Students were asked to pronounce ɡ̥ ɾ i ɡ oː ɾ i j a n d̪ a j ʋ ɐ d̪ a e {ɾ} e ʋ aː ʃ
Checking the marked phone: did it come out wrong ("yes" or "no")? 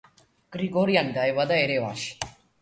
no